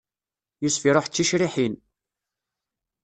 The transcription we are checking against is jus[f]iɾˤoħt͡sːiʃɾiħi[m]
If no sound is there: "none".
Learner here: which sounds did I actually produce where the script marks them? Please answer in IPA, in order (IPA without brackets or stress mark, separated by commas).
f, n